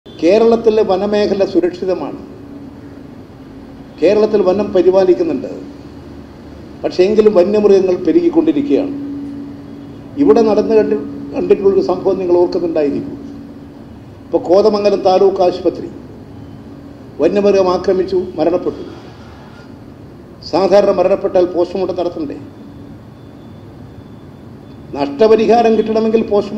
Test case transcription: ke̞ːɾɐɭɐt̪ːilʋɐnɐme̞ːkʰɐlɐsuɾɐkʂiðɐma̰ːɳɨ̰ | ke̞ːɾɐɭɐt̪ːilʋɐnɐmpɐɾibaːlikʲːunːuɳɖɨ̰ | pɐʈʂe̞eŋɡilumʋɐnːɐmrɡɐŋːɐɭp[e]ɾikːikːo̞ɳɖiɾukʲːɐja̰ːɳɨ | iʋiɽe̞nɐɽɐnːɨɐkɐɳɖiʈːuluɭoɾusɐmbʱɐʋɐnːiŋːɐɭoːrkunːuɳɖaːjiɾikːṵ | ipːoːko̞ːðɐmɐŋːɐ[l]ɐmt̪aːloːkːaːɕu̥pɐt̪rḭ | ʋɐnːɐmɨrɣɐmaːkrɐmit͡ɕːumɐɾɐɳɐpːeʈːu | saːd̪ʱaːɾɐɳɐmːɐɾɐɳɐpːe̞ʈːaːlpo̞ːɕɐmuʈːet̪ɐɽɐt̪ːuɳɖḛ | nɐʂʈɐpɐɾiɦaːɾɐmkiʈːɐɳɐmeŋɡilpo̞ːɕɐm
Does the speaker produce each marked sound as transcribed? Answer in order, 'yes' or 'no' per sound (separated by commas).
yes, yes